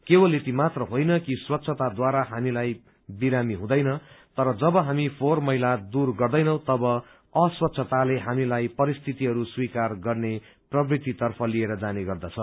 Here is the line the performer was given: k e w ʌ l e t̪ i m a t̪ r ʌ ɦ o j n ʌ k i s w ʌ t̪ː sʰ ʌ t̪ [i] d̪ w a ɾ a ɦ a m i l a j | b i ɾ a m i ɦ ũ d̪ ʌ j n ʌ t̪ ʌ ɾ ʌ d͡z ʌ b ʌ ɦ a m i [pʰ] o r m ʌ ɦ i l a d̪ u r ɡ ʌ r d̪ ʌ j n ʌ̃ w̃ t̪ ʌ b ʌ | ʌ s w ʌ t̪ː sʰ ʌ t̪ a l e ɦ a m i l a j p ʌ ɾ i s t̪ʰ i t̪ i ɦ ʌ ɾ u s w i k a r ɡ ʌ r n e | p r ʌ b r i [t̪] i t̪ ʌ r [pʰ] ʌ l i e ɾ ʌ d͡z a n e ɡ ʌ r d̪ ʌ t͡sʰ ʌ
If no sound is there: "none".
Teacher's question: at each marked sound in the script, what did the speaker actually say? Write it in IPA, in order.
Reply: a, pʰ, t̪, pʰ

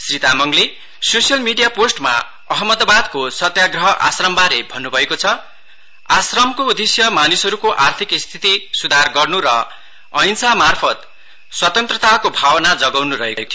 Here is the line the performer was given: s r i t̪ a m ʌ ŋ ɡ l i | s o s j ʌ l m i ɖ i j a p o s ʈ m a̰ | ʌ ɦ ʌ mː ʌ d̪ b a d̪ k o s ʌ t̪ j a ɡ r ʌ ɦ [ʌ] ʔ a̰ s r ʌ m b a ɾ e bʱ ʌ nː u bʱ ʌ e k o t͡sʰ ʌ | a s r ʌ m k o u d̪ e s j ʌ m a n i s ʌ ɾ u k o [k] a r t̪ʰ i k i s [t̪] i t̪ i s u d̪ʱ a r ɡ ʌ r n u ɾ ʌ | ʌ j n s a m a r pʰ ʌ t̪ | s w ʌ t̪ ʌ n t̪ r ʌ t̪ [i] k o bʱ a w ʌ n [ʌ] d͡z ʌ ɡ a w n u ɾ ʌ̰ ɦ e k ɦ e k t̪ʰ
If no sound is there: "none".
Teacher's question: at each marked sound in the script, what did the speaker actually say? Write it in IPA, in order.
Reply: ʌ, ʔ, t̪ʰ, a, a

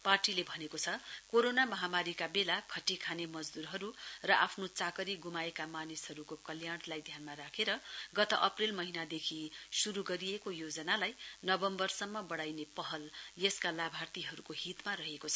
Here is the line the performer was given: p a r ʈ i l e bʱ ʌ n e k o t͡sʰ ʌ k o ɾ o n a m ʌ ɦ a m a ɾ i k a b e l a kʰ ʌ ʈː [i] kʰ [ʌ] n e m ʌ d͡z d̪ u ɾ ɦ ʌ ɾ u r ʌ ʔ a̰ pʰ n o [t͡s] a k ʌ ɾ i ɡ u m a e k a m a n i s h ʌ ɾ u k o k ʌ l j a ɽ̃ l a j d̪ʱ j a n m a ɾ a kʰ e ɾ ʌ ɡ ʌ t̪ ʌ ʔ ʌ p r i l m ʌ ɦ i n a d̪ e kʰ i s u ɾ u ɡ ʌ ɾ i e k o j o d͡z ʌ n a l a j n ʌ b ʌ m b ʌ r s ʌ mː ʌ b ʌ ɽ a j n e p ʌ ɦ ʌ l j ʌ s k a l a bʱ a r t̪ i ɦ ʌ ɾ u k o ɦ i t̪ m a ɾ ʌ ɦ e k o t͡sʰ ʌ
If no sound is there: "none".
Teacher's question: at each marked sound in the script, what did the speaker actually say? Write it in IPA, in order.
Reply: i, a, t͡s

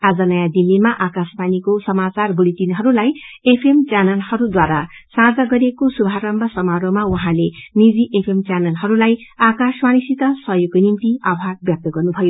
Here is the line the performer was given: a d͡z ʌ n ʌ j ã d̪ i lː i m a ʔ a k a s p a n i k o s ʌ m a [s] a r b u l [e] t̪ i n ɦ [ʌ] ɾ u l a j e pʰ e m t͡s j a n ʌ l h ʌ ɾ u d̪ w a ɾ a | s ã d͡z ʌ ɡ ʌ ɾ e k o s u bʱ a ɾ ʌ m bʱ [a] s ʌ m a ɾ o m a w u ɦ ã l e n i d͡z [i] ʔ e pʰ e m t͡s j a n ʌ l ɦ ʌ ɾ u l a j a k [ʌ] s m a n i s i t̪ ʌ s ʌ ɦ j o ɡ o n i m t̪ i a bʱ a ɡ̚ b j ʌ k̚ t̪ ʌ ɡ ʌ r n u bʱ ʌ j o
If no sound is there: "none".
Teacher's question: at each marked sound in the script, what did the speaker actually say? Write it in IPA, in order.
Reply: t͡s, i, ʌ, ʌ, i, a

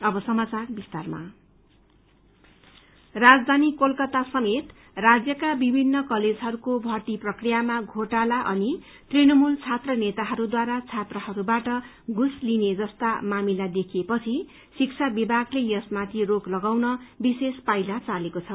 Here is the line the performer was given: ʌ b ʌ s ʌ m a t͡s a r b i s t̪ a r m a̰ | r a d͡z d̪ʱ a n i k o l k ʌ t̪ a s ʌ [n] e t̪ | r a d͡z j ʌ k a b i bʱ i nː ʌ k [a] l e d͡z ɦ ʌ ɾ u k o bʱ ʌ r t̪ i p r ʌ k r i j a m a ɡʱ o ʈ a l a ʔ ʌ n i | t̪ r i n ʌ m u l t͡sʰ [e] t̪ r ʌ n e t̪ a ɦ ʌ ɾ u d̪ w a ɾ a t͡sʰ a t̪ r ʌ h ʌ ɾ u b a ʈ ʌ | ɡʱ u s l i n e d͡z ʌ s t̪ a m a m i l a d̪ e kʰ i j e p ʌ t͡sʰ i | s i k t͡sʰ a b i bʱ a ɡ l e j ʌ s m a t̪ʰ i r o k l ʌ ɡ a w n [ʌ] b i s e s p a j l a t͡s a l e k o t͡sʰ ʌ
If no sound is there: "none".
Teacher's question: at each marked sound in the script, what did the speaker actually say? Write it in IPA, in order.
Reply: m, ʌ, a, ʌ

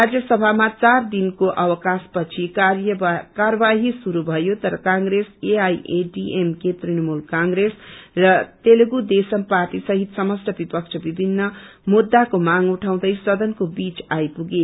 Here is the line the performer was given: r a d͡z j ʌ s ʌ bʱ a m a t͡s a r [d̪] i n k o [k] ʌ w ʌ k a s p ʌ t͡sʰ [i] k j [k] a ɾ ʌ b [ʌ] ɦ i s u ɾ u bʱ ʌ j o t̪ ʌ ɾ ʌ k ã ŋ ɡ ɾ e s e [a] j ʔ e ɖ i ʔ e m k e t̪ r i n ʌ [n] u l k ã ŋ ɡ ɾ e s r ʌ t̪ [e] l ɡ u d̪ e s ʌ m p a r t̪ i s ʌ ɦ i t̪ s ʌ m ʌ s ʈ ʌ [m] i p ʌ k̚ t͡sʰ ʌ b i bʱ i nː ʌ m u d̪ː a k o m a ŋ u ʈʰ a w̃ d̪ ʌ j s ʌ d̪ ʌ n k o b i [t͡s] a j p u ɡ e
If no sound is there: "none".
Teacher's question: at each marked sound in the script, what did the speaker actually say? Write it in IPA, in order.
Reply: d̪, ʔ, i, k, a, a, m, e, b, t͡s

